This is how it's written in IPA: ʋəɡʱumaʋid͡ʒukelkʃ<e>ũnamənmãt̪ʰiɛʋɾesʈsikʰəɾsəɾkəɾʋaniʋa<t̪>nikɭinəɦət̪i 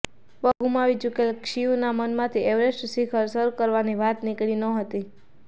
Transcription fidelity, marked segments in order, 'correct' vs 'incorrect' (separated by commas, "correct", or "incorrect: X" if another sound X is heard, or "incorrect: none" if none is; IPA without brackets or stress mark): incorrect: i, correct